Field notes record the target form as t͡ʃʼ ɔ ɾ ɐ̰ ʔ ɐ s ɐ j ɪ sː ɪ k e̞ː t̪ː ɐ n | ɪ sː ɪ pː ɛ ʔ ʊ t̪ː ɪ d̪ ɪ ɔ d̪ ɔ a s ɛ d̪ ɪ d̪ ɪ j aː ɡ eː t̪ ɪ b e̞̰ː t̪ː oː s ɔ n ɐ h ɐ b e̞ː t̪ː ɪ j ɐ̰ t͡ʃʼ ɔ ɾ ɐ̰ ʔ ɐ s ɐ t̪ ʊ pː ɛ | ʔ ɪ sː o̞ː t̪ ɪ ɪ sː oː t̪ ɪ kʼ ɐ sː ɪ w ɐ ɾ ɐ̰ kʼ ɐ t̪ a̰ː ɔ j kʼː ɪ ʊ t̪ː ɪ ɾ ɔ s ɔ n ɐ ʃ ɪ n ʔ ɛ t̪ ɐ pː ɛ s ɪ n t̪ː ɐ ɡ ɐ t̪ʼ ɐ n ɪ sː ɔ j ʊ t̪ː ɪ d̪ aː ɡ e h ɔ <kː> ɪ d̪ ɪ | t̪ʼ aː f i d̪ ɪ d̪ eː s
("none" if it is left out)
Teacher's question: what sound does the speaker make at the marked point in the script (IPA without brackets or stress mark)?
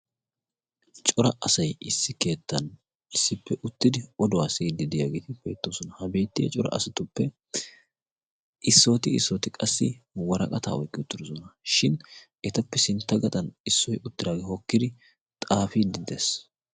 kː